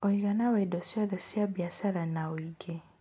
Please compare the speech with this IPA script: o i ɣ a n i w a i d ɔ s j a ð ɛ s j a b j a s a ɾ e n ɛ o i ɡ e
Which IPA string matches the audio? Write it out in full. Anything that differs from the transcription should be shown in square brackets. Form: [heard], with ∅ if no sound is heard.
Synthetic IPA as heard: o i ɣ a n [a] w a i d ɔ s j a ð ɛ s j a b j a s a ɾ [a] n [a] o i ɡ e

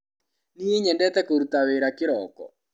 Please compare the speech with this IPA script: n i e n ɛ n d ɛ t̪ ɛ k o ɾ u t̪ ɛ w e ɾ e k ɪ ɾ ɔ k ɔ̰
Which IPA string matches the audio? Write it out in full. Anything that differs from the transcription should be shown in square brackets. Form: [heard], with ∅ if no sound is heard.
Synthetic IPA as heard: n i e [ɲ] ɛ n d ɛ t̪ ɛ k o ɾ u t̪ [a] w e ɾ [a] k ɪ ɾ ɔ k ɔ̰

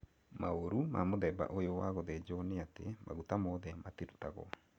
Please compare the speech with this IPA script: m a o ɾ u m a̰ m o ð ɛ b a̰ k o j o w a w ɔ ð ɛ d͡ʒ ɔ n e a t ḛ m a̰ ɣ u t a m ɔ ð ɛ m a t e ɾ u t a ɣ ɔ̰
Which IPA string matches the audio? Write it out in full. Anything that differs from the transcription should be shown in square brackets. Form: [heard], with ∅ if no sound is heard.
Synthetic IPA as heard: m a o ɾ u m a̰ m o ð ɛ b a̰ [ʔ] o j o w a [ɣ] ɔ ð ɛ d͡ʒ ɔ n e a t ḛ m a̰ ɣ u t a m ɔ ð ɛ m a t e ɾ u t a ɣ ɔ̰

